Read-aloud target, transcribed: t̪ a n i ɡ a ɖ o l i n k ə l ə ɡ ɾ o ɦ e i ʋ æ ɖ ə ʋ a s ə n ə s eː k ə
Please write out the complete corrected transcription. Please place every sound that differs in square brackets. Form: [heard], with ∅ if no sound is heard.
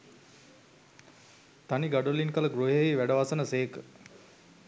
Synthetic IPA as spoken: t̪ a n i ɡ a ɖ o l i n k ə l ə ɡ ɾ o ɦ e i ʋ æ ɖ ə ʋ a s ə n ə s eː k ə